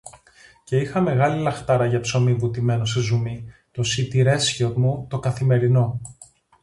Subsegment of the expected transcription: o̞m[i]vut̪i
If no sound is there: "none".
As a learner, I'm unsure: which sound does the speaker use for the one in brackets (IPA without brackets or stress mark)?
i